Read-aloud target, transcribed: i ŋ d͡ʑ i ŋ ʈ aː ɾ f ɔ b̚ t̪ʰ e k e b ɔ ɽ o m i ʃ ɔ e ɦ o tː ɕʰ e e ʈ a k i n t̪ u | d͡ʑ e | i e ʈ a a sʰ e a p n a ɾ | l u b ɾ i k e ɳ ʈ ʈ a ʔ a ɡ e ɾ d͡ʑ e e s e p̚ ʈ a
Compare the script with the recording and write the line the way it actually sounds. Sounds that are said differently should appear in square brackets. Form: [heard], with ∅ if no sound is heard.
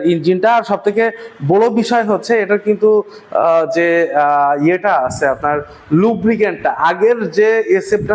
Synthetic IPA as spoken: i [n] d͡ʑ i [n] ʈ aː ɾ [ʃ] ɔ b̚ t̪ʰ e k e b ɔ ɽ o [b] i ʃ ɔ e ɦ o tː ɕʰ e e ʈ a k i n t̪ u | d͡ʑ e | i e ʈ a a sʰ e a p n a ɾ | l u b ɾ i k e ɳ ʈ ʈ a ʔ a ɡ e ɾ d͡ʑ e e s e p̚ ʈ a